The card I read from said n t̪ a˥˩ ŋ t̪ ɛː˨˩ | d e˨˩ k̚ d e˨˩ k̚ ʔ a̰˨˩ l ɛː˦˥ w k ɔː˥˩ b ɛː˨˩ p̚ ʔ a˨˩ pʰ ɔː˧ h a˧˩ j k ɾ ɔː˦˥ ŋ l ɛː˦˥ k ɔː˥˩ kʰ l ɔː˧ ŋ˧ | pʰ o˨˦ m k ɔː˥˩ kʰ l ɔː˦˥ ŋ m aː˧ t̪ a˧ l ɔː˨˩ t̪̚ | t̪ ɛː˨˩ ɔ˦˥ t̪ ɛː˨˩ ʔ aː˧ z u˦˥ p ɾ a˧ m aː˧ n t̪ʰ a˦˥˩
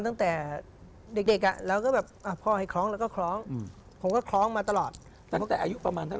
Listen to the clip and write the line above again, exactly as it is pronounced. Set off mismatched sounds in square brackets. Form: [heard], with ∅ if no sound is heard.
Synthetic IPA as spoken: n t̪ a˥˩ ŋ t̪ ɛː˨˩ | d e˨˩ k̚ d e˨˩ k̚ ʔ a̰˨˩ l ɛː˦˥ w k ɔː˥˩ b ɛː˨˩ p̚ ʔ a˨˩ pʰ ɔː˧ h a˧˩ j [kʰ] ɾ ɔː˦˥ ŋ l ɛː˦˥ k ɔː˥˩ kʰ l [ɔː˦˥] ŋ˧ | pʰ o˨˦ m k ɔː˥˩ kʰ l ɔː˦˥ ŋ m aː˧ t̪ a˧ l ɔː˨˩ t̪̚ | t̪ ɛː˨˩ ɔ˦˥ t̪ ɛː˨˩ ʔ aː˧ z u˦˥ p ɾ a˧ m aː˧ n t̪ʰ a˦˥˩